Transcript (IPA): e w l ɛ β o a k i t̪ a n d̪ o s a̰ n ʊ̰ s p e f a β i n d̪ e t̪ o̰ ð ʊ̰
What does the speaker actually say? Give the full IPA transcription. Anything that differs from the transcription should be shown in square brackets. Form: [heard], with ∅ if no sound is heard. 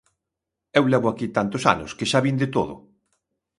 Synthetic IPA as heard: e w l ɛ β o a k i t̪ a n [t̪] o s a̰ n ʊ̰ s [k] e [ʃ] a β i n d̪ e t̪ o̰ ð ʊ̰

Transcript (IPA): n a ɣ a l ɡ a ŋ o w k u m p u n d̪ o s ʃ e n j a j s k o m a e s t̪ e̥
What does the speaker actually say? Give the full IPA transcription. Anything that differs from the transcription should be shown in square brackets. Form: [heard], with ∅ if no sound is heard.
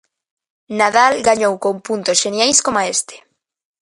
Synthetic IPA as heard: n a [ð] a l ɡ a [ɲ] o w k [o] m p u n [t̪] o s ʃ e n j a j s k o m a e s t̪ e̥

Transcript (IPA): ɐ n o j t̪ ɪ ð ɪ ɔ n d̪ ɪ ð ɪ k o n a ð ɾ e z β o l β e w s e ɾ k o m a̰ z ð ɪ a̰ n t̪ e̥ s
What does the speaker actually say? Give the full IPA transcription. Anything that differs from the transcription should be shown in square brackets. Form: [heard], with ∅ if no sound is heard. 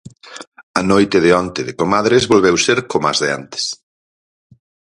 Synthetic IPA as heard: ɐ n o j t̪ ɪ ð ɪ ɔ n [t̪] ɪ ð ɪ k o [m] a ð ɾ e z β o l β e w s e ɾ k o m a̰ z ð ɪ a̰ n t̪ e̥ s

